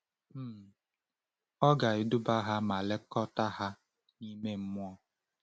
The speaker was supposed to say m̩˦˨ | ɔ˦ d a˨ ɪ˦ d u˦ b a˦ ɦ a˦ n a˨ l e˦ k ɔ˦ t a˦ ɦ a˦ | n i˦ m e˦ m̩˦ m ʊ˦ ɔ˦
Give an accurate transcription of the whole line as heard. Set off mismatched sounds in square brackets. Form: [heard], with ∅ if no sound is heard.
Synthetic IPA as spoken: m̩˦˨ | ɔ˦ [ɡ] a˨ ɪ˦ d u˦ b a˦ ɦ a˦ [m] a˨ l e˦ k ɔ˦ t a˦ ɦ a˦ | n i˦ m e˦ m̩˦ m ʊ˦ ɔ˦